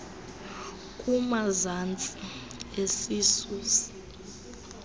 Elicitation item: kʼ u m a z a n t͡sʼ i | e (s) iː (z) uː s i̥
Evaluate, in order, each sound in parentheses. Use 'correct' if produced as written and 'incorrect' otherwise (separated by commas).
correct, incorrect